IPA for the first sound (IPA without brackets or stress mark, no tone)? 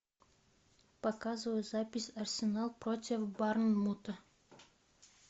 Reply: p